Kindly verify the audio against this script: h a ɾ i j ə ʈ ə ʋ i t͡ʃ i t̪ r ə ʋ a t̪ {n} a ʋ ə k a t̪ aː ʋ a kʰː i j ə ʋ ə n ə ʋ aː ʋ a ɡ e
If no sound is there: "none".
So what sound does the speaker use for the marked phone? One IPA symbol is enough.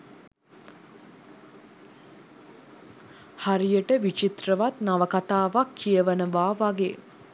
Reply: n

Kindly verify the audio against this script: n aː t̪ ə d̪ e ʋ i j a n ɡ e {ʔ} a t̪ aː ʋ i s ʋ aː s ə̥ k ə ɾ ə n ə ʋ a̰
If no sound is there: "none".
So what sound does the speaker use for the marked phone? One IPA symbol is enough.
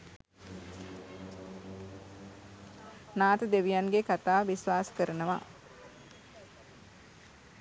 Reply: k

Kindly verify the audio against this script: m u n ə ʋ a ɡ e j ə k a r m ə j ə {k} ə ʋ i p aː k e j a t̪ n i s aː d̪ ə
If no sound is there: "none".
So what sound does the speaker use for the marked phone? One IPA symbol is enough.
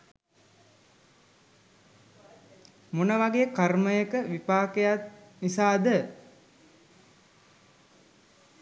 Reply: k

